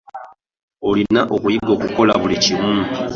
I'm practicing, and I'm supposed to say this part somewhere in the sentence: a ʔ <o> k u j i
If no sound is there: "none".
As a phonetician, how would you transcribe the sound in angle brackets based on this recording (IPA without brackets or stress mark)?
o